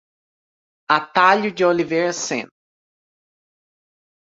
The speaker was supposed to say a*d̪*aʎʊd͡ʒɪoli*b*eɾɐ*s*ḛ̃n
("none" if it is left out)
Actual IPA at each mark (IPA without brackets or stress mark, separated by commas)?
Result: t̪, v, s